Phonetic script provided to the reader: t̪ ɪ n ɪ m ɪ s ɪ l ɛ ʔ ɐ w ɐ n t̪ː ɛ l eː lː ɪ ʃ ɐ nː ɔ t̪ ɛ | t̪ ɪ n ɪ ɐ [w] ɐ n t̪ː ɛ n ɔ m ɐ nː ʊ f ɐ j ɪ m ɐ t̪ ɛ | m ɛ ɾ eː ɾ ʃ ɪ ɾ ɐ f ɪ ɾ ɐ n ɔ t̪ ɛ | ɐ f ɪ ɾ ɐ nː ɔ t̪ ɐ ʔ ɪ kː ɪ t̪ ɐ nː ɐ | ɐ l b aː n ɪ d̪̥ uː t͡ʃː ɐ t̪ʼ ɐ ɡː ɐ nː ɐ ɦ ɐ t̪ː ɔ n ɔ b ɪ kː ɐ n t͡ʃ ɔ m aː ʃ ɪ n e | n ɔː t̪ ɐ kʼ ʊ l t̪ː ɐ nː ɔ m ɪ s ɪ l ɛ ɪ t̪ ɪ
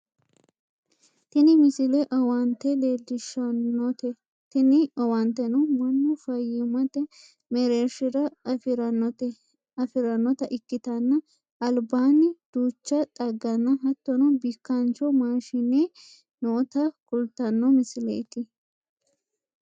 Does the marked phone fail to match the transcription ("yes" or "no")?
no